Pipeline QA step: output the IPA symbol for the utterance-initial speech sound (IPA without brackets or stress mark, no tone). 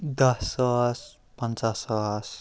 d̪